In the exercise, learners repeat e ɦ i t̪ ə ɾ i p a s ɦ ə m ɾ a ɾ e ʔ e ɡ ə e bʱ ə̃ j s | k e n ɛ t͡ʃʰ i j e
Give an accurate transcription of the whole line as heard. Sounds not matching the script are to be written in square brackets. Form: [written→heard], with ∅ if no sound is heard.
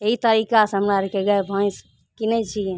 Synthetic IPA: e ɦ i t̪ ə ɾ i [p→k] a s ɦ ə m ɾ a ɾ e [ʔ→k] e ɡ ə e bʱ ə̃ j s | k [e→i] n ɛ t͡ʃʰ i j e

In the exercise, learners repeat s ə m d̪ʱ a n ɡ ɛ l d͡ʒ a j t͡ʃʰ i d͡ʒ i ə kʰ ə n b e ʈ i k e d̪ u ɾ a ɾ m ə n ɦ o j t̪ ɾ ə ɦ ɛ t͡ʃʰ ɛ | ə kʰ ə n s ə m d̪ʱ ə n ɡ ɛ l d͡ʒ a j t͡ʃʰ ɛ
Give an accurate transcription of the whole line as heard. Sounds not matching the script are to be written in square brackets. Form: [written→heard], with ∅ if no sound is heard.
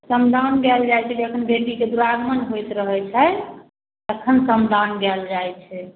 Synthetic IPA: s ə m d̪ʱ a n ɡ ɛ l d͡ʒ a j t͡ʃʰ [i→ɛ] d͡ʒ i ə kʰ ə n b e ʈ i k e d̪ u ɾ a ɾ m ə n ɦ o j t̪ ɾ ə ɦ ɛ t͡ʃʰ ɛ | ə kʰ ə n s ə m d̪ʱ [ə→a] n ɡ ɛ l d͡ʒ a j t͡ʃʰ ɛ

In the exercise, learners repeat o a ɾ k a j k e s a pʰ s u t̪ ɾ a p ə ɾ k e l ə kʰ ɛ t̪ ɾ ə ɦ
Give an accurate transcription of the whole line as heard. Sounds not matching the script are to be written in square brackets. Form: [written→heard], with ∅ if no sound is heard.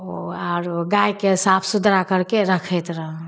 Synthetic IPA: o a ɾ [k→ɡ] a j k e s a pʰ s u [t̪→d̪] ɾ a [p→k] ə ɾ k e [l→ɾ] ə kʰ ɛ t̪ ɾ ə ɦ

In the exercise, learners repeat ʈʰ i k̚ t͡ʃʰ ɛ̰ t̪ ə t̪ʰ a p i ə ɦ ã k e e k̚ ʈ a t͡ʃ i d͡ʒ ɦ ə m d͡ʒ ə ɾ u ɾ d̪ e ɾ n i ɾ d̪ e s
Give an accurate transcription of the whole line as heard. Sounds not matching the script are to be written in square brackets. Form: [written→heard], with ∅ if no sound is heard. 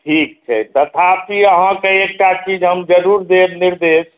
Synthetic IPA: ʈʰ i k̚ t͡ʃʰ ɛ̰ t̪ ə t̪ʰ a p i ə ɦ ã k e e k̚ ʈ a t͡ʃ i d͡ʒ ɦ ə m d͡ʒ ə ɾ u ɾ d̪ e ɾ n i ɾ d̪ e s

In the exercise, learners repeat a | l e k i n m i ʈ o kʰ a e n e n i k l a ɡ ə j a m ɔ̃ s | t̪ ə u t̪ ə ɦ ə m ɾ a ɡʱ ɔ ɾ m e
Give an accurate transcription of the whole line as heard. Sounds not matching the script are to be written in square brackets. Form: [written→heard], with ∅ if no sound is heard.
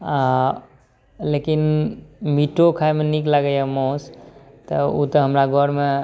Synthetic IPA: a | l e k i n m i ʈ o kʰ a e [n→m] e n i k l a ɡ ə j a m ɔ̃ s | t̪ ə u t̪ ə ɦ ə m ɾ a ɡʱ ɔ ɾ m e

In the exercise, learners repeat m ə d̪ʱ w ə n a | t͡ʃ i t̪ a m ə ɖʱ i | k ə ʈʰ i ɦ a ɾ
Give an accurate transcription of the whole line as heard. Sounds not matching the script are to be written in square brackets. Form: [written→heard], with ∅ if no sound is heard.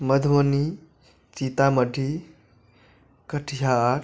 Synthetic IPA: m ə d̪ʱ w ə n [a→i] | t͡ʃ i t̪ a m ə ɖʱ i | k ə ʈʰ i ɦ a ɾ

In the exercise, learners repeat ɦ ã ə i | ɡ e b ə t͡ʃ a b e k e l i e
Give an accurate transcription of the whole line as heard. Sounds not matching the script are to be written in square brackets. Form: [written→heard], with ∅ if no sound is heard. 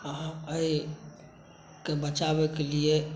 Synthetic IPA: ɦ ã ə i | [ɡ→k] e b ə t͡ʃ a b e k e l i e

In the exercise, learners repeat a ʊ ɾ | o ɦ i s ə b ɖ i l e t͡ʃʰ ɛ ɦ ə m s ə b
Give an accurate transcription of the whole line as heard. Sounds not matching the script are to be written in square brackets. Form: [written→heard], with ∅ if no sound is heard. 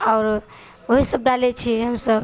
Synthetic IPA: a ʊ ɾ | o ɦ i s ə b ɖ [i→a] l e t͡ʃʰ [ɛ→i] ɦ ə m s ə b

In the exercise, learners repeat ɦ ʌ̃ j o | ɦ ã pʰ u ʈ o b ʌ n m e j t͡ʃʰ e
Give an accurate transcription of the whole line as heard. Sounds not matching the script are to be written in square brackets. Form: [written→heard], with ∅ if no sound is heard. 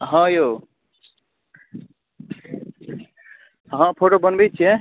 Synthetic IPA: ɦ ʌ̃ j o | ɦ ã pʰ [u→o] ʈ o b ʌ n [m→b] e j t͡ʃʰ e

